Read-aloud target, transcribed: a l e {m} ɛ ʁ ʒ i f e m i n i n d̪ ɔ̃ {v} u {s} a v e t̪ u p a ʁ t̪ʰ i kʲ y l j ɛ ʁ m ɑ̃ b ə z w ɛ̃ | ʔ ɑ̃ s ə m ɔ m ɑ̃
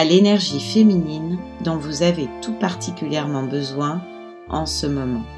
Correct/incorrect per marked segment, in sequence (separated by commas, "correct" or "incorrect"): incorrect, correct, incorrect